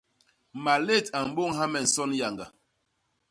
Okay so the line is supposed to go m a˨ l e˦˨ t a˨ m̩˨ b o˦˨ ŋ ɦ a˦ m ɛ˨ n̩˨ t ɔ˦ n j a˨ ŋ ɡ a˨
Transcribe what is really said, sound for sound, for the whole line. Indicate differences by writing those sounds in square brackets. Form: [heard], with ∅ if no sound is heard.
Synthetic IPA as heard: m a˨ l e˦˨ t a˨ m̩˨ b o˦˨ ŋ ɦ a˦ m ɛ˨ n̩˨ [s] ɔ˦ n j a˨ ŋ ɡ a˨